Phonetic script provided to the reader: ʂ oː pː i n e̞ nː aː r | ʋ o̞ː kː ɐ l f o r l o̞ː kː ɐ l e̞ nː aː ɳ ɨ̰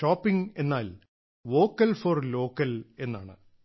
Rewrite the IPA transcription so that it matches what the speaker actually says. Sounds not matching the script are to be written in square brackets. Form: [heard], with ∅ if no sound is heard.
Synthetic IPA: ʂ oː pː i [ŋ] e̞ nː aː [l] | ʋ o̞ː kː ɐ l f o r l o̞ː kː ɐ l e̞ nː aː ɳ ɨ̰